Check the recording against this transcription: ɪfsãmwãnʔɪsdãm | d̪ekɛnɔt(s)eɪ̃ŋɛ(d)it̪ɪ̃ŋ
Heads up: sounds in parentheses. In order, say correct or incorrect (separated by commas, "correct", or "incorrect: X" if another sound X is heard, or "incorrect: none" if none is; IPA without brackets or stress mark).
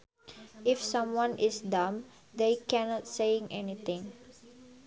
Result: correct, incorrect: n